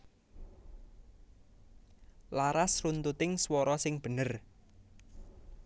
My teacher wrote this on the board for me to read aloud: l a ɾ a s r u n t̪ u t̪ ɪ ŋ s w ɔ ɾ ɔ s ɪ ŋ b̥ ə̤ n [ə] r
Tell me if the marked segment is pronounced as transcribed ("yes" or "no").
yes